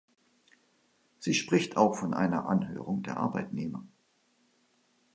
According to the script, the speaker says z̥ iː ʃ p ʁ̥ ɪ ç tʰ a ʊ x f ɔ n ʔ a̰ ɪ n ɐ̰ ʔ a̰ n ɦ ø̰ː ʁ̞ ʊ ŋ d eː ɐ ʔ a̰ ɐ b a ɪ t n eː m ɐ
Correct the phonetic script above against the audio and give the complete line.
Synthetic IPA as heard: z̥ iː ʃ p ʁ̥ ɪ ç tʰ a ʊ x f ɔ n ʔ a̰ ɪ n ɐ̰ ʔ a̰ n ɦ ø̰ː ʁ̞ ʊ ŋ d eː ɐ ʔ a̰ ɐ b a ɪ t n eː m ɐ